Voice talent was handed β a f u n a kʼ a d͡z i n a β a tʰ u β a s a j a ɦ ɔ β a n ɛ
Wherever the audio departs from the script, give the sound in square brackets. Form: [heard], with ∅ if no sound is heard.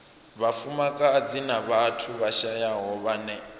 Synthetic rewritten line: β a f u [m] a kʼ a d͡z i n a β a tʰ u β a [ʃ] a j a ɦ ɔ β a n ɛ